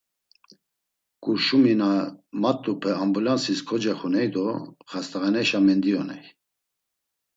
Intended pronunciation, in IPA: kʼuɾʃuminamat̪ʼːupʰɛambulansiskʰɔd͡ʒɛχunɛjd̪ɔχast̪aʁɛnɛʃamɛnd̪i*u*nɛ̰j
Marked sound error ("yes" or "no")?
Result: yes